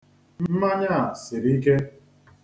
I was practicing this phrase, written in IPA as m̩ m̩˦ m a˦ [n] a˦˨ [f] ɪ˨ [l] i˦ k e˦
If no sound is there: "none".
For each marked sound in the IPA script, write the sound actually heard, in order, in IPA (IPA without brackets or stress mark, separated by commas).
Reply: ɲ, s, ɾ